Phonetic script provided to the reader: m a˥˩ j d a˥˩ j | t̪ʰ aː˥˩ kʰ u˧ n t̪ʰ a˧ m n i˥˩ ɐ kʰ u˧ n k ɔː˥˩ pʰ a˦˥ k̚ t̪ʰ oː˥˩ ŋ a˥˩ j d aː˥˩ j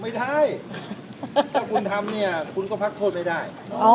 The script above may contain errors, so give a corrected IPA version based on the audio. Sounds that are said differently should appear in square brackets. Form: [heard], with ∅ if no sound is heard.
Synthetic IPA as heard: m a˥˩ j d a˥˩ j | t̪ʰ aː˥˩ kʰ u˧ n t̪ʰ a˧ m n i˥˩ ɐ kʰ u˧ n k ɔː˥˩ pʰ a˦˥ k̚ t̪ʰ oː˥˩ [m] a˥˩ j d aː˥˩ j